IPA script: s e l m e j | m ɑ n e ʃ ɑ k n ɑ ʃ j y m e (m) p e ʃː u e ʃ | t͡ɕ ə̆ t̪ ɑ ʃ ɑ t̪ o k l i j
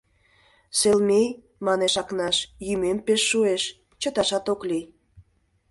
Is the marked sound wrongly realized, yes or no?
no